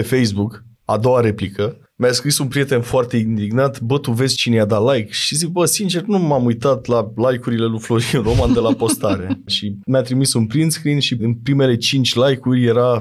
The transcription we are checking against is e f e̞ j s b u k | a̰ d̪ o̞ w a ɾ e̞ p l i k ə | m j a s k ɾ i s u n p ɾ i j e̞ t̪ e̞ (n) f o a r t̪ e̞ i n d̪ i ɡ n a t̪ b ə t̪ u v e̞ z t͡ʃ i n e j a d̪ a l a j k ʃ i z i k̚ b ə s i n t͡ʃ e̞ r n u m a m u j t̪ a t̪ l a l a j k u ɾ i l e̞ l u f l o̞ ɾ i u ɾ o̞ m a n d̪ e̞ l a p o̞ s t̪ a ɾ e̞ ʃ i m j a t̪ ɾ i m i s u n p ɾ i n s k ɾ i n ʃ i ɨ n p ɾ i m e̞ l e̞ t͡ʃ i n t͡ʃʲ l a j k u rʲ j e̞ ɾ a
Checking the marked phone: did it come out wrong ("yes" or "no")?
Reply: no